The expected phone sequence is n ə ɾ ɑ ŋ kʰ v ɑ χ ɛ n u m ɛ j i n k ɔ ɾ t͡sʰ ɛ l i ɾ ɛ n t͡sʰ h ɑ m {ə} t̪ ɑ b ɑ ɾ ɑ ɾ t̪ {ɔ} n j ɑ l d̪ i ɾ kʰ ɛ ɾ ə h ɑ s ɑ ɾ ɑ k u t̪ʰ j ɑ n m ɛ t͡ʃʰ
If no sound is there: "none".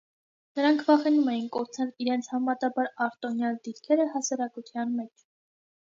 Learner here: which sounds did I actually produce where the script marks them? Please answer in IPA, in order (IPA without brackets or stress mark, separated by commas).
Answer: ɑ, ɔ